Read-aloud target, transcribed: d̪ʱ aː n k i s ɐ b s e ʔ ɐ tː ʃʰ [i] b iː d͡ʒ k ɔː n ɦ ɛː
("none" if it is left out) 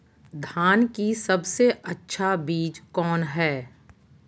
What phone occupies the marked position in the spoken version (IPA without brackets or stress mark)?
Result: a